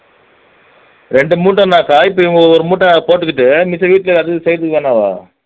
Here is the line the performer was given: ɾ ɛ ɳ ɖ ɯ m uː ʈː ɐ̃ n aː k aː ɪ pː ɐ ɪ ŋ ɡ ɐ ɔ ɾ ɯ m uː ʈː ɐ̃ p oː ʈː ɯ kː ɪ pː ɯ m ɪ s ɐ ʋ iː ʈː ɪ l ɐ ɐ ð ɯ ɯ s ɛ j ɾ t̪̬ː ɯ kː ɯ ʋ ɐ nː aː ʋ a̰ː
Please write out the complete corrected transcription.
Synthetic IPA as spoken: ɾ ɛ ɳ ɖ ɯ m uː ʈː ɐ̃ n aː k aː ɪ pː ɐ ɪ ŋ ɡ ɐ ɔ ɾ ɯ m uː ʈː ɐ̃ p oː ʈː ɯ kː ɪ ʈː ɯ m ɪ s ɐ ʋ iː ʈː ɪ l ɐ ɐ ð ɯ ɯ s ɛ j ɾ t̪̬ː ɯ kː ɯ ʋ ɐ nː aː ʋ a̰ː